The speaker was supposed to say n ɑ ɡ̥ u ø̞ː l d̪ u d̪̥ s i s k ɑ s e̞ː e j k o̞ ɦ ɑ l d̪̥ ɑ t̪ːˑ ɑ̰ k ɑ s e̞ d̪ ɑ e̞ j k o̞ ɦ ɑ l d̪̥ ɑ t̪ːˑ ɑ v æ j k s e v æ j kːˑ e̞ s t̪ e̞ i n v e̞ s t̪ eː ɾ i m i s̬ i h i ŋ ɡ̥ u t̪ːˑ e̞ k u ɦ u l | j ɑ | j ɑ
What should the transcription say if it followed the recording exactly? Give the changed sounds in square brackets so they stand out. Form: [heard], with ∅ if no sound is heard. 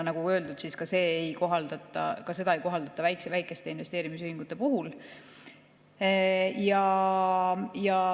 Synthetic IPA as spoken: n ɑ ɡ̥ u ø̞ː l d̪ u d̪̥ s i s k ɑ s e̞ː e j k o̞ ɦ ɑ l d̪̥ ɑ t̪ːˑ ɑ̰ k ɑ s e̞ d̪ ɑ e̞ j k o̞ ɦ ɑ l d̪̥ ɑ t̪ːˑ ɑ v æ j k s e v æ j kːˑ e̞ s t̪ e̞ i n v e̞ s t̪ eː ɾ i m i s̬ [y] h i ŋ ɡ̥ u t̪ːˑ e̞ [p] u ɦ u l | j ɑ | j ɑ